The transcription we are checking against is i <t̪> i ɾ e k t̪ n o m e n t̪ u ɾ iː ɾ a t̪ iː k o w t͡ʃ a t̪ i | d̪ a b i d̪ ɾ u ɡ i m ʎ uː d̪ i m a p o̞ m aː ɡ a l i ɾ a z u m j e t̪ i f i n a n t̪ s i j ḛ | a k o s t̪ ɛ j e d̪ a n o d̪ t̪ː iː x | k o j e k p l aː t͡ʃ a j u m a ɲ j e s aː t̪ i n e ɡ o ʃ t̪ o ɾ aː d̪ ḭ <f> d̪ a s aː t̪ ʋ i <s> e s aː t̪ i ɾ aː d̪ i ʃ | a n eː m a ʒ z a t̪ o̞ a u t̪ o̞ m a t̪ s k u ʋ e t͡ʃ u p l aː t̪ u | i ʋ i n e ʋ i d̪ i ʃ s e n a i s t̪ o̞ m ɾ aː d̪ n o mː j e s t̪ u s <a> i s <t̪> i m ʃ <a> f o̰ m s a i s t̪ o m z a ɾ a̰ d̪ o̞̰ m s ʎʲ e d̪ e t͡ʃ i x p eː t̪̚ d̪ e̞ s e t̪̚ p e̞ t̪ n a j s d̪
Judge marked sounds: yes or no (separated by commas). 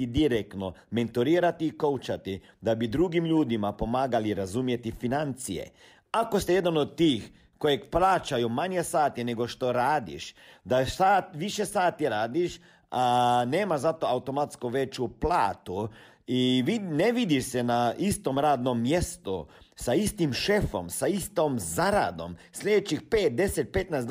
no, no, no, yes, yes, no